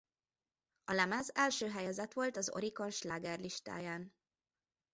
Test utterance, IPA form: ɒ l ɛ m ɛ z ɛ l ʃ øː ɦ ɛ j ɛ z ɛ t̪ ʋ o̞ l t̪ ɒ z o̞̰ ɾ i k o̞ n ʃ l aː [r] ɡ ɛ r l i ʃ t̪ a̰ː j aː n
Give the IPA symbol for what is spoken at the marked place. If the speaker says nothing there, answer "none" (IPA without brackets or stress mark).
none